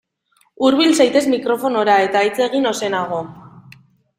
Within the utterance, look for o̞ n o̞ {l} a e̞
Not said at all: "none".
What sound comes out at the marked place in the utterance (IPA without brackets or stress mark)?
ɾ